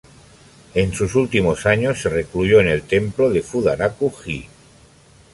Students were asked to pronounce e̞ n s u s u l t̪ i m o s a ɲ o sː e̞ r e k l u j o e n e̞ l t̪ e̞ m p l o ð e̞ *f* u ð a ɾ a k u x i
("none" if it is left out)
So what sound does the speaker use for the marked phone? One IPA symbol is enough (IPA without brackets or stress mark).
f